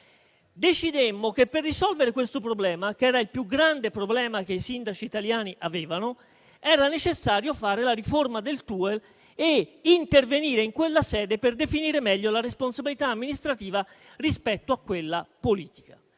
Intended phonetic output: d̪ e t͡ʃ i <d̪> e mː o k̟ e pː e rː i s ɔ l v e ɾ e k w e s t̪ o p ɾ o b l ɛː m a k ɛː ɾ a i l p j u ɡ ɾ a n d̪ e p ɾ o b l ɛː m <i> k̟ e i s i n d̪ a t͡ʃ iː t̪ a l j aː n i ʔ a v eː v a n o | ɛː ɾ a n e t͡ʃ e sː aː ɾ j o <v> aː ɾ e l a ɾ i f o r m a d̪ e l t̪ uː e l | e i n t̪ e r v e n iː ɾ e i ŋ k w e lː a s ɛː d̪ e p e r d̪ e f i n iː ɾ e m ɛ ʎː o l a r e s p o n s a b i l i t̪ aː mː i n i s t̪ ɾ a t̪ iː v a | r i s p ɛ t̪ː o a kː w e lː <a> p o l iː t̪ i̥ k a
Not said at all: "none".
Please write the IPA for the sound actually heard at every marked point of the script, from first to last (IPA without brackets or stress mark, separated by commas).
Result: d̪, a, f, a